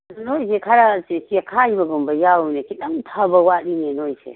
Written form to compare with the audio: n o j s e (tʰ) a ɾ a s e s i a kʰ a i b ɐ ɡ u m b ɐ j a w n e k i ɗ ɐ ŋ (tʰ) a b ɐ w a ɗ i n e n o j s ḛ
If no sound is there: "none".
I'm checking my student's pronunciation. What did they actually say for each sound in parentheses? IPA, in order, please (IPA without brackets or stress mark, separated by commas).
kʰ, tʰ